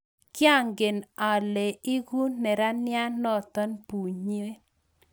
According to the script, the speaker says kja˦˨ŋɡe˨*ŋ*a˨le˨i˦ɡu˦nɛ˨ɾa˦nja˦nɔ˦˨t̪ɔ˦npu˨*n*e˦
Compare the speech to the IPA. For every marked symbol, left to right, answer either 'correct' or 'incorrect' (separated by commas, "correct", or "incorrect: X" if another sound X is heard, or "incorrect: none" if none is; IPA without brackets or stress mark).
incorrect: n, incorrect: ɲ